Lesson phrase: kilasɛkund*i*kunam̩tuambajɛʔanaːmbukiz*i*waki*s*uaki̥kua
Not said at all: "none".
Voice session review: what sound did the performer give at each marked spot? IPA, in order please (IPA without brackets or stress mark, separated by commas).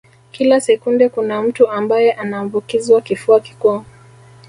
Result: ɛ, i, f